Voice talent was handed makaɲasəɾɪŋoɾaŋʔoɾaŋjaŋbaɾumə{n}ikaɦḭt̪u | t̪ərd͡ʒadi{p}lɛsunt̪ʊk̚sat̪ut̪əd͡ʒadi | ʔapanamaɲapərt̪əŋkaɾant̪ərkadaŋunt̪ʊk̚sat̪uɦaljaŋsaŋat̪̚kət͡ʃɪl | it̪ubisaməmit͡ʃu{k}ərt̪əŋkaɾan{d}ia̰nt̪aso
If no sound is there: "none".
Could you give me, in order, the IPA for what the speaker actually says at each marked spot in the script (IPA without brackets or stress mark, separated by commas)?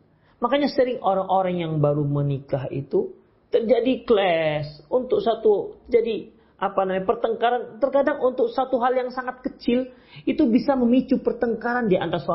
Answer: n, k, p, d